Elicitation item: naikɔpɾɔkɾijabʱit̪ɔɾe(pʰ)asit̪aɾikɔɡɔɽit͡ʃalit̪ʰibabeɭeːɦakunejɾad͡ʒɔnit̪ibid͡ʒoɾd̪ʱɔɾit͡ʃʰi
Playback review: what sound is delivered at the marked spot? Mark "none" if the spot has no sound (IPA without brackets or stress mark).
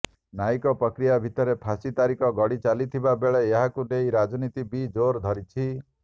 pʰ